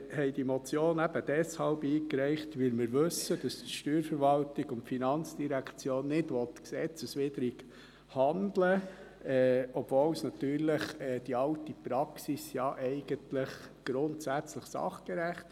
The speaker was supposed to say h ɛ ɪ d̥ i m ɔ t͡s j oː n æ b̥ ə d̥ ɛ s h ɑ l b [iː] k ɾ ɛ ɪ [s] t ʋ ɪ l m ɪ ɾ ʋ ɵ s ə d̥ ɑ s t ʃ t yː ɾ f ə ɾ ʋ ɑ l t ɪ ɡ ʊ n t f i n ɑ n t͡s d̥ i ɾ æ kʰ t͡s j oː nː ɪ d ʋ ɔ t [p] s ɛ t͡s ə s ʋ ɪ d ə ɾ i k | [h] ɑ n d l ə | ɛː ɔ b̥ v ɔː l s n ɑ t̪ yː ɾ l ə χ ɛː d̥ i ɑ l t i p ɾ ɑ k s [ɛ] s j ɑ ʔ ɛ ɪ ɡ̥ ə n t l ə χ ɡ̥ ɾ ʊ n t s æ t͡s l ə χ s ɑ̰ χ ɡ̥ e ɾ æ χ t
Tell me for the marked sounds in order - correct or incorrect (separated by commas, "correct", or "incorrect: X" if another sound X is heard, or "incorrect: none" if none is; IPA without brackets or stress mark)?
correct, incorrect: χ, incorrect: k, correct, incorrect: i